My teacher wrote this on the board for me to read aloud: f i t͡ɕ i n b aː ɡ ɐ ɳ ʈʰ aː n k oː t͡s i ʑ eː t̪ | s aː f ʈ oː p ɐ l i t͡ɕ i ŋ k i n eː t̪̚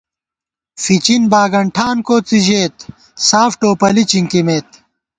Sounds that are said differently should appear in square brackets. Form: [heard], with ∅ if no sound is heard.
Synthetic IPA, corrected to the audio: f i t͡ɕ i n b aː ɡ ɐ ɳ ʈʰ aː n k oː t͡s i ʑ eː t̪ | s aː f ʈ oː p ɐ l i t͡ɕ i ŋ k i [m] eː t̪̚